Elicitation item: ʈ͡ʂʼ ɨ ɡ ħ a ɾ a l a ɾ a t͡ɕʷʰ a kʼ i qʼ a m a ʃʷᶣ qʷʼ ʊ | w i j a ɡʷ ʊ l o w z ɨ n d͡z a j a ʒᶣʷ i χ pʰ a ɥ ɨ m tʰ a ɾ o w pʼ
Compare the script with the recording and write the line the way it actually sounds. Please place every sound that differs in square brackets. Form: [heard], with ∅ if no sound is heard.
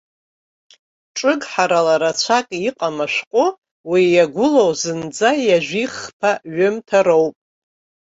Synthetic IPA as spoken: ʈ͡ʂʼ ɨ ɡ ħ a ɾ a l a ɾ a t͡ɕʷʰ a kʼ i qʼ a m a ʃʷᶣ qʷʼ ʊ | w i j a ɡʷ ʊ l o w z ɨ n d͡z a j a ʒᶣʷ i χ pʰ a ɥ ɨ m tʰ a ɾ o w pʼ